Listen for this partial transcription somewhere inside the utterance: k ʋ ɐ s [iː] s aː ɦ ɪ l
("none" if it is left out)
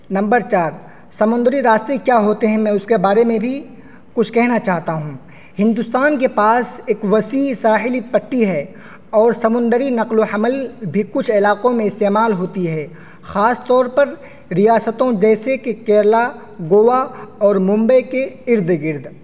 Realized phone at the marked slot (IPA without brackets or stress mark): iː